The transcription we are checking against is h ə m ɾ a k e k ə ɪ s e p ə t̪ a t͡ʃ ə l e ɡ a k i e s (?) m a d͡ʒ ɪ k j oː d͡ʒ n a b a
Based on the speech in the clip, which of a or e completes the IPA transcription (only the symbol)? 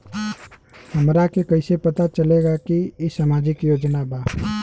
a